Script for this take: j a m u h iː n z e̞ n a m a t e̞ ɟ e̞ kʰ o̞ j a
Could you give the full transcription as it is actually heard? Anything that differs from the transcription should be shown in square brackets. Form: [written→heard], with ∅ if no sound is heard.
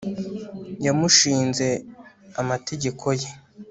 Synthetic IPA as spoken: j a m u [h→ʃ] iː n z e̞ [n→∅] a m a t e̞ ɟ e̞ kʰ o̞ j [a→e]